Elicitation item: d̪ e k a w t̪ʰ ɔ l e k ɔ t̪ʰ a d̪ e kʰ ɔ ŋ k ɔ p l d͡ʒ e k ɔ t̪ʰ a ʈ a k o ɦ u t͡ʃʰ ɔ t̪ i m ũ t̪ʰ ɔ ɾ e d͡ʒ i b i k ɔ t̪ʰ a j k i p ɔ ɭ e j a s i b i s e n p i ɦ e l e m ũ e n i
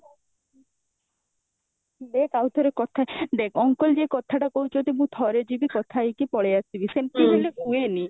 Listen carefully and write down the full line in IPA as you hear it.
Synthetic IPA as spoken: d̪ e k a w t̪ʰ ɔ ɾ e k ɔ t̪ʰ a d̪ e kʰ ɔ ŋ k ɔ l d͡ʒ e k ɔ t̪ʰ a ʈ a k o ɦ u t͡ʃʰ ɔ t̪ i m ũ t̪ʰ ɔ ɾ e d͡ʒ i b i k ɔ t̪ʰ a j k i p ɔ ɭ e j a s i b i s e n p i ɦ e l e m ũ e n i

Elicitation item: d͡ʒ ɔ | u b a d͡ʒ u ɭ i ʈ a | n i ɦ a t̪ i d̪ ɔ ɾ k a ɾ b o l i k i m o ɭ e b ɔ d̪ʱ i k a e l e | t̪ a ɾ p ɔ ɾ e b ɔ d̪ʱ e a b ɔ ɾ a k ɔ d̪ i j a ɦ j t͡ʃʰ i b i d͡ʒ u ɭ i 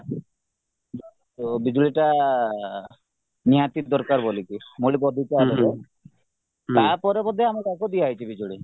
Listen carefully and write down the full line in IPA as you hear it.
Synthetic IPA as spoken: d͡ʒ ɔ | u b i d͡ʒ u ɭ i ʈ a | n i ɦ a t̪ i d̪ ɔ ɾ k a ɾ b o l i k i m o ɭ i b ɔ d̪ʱ i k a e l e | t̪ a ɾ p ɔ ɾ e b ɔ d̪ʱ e a m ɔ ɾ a k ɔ d̪ i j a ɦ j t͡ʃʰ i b i d͡ʒ u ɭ i

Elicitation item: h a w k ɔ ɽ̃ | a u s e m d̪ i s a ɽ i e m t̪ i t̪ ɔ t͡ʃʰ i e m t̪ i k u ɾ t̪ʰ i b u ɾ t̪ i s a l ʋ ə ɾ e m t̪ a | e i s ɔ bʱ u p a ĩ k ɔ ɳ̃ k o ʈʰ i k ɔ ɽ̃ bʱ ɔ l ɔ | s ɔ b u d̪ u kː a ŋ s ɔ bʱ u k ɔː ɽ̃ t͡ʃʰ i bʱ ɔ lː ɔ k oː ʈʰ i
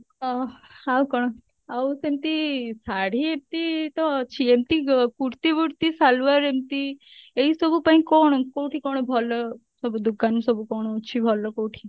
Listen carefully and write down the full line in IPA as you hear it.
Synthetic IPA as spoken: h a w k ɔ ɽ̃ | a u s e m t̪ i s a ɽ i e m t̪ i t̪ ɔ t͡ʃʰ i e m t̪ i k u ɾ t̪ i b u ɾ t̪ i s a l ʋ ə ɾ e m t̪ i | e i s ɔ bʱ u p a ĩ k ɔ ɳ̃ k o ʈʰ i k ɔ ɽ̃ bʱ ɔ l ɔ | s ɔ b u d̪ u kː a n s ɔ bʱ u k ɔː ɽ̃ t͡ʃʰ i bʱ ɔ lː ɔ k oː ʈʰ i

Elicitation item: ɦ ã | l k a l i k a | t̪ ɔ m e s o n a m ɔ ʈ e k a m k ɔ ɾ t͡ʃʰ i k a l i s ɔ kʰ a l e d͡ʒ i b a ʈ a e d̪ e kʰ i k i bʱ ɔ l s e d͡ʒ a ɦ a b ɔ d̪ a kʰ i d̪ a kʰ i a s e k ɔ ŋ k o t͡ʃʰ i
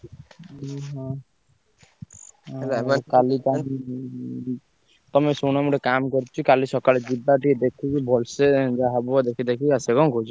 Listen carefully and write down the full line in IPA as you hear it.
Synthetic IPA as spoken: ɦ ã | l k a l i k a | t̪ ɔ m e s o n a m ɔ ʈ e k a m k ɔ ɾ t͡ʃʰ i k a l i s ɔ k a l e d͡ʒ i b a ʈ i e d̪ e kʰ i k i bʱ ɔ l s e d͡ʒ a ɦ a b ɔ d̪ e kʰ i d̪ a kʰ i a s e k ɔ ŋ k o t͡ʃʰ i

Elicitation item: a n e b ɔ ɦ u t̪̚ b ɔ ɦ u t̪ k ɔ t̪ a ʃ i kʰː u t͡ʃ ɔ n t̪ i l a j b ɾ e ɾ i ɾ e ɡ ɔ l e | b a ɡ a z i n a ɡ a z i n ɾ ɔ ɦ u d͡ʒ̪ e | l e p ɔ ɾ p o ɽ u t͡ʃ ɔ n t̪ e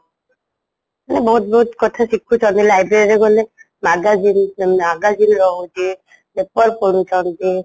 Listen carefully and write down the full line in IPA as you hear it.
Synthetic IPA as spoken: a n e b ɔ ɦ u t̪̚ b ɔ ɦ u t̪ k ɔ t̪ʰ a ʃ i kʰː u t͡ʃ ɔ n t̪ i l a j b ɾ e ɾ i ɾ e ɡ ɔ l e | m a ɡ a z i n a ɡ a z i n ɾ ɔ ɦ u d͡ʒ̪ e | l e p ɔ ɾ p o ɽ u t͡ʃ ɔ n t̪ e

